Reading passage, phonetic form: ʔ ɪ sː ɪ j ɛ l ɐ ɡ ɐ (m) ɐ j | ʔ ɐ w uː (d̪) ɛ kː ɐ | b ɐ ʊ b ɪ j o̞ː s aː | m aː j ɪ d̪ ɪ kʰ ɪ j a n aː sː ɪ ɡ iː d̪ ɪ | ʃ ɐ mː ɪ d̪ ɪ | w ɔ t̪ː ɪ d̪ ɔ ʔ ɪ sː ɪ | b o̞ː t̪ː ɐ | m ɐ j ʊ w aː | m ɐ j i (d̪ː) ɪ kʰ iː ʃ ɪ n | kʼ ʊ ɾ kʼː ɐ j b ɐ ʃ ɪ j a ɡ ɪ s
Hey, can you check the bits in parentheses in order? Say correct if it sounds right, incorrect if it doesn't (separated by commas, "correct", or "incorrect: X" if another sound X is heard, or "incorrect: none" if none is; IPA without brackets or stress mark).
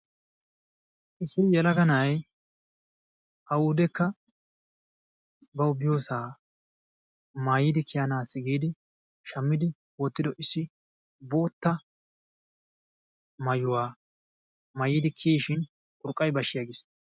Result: incorrect: n, correct, incorrect: d̪